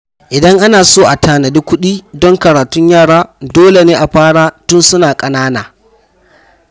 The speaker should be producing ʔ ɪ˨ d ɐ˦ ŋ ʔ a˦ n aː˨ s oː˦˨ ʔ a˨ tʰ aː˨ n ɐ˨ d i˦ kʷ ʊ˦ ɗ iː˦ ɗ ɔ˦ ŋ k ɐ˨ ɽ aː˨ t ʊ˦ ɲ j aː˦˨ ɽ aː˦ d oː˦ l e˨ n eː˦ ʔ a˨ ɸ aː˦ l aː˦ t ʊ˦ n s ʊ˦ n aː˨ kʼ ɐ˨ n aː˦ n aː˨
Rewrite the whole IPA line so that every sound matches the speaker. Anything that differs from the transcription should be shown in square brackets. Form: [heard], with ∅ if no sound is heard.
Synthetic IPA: ʔ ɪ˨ d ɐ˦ ŋ ʔ a˦ n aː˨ s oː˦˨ ʔ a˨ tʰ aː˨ n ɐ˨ d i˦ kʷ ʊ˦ ɗ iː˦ [d] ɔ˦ ŋ k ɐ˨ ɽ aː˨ t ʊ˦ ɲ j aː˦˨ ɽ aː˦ d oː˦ l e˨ n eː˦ ʔ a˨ ɸ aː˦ [ɽ] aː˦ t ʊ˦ n s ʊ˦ n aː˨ kʼ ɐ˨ n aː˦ n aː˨